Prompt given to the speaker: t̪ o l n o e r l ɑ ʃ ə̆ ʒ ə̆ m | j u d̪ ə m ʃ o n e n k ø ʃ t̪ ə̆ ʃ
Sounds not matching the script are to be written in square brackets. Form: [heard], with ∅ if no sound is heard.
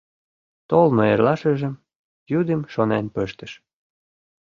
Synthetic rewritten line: t̪ o l n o e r l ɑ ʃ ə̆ ʒ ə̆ m | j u d̪ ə m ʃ o n e n [p] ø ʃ t̪ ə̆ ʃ